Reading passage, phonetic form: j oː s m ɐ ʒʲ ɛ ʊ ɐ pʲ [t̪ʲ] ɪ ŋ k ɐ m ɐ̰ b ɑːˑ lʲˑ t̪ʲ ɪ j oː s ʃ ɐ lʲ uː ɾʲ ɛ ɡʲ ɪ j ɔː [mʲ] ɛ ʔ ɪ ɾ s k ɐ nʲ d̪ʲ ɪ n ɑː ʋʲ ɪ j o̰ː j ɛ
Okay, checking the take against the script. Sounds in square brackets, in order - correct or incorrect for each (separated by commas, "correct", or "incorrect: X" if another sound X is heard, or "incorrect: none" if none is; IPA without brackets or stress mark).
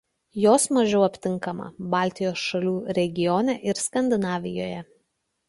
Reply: correct, incorrect: nʲ